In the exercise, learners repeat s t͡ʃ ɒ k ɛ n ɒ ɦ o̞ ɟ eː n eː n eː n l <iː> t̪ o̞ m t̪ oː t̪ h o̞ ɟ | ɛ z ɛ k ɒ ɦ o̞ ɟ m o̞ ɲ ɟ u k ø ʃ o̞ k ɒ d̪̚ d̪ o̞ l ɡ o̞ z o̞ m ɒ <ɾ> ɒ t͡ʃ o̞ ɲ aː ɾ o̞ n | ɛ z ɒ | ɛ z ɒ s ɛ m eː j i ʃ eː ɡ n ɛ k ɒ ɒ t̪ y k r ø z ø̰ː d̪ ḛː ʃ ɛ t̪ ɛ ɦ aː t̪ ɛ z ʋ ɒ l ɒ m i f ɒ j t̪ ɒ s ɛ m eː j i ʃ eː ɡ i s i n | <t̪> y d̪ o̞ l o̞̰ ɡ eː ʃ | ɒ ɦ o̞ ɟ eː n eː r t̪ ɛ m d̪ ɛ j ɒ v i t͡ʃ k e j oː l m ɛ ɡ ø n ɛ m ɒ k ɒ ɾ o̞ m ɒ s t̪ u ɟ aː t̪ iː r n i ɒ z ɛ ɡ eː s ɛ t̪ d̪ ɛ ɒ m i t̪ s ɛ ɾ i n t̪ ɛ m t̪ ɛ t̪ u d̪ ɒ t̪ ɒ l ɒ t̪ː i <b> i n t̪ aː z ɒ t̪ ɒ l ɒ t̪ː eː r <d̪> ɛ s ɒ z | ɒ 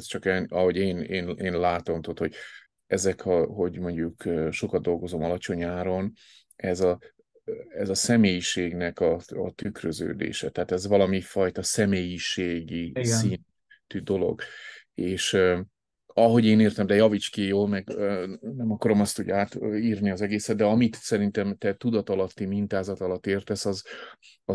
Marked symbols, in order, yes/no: no, no, yes, no, no

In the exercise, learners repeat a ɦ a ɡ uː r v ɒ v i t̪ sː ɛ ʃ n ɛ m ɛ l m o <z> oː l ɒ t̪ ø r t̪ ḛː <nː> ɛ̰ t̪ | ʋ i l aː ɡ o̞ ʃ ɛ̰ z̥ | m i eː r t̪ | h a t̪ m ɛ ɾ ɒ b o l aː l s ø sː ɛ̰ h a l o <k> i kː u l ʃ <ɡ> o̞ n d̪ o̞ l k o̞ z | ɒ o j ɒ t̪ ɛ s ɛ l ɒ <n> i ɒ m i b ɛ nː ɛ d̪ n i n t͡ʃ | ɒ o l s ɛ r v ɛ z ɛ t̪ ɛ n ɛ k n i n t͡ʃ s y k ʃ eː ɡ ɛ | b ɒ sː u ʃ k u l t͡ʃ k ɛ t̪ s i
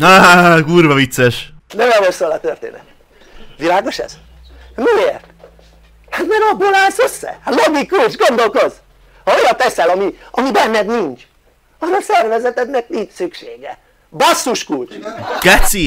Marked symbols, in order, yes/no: no, no, no, yes, no

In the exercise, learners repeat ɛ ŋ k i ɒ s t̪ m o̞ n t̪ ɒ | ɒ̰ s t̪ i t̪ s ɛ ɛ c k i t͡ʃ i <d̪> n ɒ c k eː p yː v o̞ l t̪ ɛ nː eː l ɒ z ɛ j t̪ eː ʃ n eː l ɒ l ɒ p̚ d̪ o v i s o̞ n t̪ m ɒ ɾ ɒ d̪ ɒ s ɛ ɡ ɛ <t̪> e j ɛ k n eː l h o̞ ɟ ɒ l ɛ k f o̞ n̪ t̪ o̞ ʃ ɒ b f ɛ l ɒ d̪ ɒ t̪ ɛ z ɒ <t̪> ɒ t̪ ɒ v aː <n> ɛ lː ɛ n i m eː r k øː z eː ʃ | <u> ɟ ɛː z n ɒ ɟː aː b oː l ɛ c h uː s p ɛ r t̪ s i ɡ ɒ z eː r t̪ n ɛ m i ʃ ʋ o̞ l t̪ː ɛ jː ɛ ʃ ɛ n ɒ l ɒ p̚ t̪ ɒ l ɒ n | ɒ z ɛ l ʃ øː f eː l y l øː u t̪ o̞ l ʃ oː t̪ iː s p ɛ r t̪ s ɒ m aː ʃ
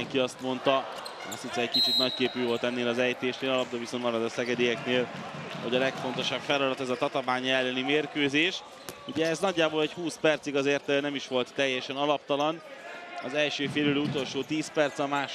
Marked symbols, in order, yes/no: no, no, yes, no, yes

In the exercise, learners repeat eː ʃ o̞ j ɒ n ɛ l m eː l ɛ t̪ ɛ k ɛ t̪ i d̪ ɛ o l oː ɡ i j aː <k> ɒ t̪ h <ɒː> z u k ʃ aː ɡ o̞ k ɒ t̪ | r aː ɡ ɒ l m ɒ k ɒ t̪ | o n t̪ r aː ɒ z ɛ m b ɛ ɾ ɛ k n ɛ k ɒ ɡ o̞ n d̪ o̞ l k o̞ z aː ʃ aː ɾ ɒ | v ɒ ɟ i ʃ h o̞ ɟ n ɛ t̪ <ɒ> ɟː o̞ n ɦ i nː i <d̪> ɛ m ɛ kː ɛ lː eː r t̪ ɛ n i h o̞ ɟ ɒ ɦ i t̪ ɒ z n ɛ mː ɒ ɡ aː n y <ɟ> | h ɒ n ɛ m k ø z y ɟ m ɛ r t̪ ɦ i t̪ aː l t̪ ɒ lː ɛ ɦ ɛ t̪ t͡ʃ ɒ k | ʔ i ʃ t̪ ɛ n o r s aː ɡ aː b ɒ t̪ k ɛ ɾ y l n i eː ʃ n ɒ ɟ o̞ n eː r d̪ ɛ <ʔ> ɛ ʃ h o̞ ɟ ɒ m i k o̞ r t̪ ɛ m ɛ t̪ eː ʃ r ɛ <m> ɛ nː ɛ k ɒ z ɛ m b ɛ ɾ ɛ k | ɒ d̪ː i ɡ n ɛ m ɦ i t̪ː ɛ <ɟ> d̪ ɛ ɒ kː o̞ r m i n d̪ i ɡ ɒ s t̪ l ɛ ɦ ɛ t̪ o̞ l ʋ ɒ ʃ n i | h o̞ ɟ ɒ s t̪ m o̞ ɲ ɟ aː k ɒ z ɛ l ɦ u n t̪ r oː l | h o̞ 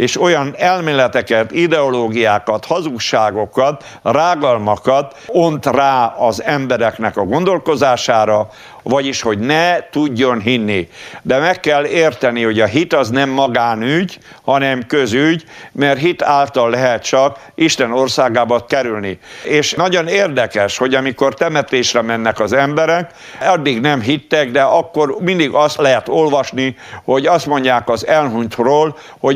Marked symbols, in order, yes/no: yes, no, no, yes, yes, no, yes, no

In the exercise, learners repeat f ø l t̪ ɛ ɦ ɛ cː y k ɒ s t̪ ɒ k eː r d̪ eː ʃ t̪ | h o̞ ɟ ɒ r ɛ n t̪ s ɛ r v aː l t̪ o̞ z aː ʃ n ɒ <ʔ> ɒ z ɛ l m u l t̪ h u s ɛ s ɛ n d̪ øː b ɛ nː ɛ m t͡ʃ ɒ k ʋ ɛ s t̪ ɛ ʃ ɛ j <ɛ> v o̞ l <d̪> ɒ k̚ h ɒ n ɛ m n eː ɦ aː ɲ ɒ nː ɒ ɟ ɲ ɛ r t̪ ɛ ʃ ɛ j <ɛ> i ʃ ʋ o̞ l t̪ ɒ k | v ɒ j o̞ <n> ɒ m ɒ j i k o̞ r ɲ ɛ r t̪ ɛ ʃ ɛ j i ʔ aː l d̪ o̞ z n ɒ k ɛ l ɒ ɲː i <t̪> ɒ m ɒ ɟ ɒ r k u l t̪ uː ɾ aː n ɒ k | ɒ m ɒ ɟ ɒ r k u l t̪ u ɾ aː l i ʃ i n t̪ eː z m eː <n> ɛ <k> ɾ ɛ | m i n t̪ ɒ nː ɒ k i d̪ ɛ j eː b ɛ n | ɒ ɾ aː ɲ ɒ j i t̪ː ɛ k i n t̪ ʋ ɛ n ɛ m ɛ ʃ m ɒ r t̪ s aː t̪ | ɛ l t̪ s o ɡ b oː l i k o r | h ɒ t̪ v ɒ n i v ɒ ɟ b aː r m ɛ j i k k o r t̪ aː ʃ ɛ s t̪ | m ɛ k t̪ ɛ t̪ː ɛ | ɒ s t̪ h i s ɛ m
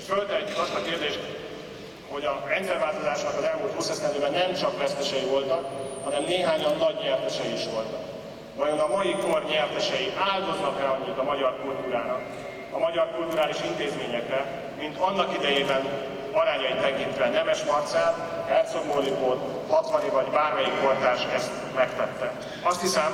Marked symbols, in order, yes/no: no, no, no, no, yes, yes, no, yes

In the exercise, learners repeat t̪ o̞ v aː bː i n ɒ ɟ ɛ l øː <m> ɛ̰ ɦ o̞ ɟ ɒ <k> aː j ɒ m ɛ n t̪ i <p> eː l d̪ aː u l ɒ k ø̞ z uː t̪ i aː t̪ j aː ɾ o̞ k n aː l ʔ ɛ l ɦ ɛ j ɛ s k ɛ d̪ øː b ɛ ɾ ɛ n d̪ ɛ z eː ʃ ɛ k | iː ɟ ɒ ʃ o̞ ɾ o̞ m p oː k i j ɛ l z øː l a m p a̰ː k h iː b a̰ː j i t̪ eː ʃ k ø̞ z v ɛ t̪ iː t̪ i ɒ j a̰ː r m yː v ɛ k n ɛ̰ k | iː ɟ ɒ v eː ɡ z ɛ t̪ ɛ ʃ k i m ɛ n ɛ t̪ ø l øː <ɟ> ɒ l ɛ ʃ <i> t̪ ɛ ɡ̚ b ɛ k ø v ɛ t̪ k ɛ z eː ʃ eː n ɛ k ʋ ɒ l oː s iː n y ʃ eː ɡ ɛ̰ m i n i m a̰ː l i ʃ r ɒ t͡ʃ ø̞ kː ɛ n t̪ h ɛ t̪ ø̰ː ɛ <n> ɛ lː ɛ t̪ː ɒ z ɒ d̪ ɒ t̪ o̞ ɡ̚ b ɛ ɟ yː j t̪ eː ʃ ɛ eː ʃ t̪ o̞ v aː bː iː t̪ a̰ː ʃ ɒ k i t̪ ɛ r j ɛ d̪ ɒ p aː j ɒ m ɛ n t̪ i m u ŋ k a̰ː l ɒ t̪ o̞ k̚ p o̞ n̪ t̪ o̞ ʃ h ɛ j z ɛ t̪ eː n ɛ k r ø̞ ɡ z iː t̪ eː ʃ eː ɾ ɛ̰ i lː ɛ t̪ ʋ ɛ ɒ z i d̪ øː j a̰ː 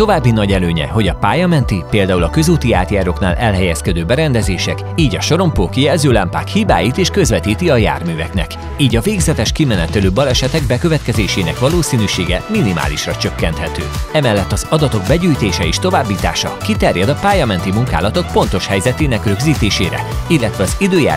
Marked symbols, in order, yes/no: no, no, yes, no, no, no

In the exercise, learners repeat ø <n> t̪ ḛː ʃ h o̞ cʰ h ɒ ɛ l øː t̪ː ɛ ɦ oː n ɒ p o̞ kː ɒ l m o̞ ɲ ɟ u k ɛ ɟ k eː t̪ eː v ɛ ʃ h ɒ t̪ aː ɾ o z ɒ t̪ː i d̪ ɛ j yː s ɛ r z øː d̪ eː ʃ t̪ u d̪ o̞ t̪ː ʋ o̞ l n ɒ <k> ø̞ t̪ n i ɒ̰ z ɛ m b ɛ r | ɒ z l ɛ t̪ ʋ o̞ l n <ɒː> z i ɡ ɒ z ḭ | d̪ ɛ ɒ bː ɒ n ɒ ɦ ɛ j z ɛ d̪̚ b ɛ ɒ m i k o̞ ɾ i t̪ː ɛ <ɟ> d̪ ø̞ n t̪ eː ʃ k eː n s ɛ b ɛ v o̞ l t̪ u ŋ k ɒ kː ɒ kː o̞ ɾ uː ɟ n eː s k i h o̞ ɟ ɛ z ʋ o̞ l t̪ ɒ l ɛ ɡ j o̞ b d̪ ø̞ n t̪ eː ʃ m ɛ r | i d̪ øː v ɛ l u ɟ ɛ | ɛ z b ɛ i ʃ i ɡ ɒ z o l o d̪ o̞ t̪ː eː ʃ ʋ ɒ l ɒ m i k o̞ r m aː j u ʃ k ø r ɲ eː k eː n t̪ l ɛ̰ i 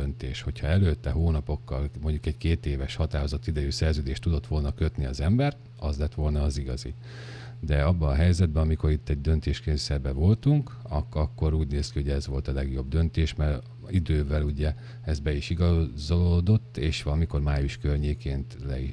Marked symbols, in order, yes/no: yes, yes, yes, yes

